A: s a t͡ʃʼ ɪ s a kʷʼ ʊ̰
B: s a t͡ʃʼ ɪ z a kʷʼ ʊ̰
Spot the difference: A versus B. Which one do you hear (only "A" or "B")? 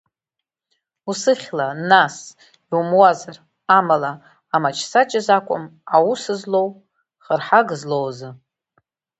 B